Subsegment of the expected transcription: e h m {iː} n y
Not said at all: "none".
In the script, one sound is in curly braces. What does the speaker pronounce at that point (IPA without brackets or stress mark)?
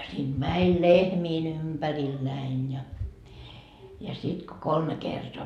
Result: iː